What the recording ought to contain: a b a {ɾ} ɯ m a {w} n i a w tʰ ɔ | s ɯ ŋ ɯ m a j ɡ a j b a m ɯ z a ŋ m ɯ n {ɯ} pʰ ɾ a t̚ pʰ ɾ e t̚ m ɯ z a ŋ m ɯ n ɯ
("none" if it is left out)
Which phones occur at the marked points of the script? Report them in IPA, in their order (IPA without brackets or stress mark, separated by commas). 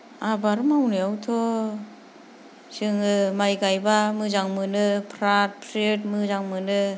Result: ɾ, w, ɯ